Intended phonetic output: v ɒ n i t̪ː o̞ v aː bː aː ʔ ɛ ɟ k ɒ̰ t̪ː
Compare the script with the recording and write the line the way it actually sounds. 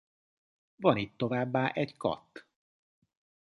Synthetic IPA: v ɒ n i t̪ː o̞ v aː bː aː ʔ ɛ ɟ k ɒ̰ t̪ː